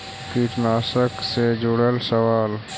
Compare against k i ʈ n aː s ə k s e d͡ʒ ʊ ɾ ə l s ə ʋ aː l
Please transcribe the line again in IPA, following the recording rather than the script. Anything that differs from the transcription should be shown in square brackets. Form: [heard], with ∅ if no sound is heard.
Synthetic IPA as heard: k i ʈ n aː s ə k s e d͡ʒ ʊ [ɽ] ə l s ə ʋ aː l